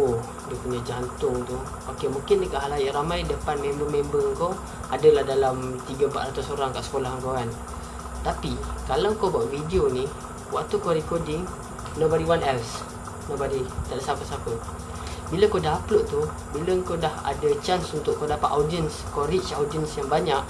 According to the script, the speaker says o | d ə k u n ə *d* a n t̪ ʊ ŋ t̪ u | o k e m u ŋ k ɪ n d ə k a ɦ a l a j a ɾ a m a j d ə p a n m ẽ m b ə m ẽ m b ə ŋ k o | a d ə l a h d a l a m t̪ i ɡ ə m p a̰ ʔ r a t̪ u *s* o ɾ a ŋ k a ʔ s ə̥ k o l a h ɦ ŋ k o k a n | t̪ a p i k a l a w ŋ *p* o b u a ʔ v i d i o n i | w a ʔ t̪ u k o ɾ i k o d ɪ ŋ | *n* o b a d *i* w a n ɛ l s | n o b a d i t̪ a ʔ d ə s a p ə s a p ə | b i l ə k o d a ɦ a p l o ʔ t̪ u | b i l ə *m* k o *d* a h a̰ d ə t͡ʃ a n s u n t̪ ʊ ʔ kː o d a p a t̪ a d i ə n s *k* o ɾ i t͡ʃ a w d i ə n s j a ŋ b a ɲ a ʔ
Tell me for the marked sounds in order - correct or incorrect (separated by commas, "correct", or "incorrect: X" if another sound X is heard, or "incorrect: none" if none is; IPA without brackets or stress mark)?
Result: incorrect: d͡ʒ, correct, incorrect: k, correct, correct, incorrect: ŋ, correct, correct